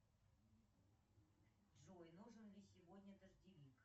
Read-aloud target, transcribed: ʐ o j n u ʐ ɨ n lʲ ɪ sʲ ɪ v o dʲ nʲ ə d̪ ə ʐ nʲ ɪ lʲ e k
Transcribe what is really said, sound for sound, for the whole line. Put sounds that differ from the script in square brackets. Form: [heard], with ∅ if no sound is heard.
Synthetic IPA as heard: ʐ o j n u ʐ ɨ n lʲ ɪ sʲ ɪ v o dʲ nʲ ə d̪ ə ʐ [dʲ] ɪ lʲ [i] k